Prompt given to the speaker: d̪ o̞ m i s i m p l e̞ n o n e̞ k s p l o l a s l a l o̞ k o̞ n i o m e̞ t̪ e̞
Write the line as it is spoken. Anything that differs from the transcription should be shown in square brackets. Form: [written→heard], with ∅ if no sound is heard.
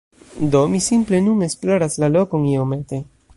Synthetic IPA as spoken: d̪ o̞ m i s i m p l e̞ n [o→u] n e̞ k s p l o [l→ɾ] a s l a l o̞ k o̞ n i o m e̞ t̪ e̞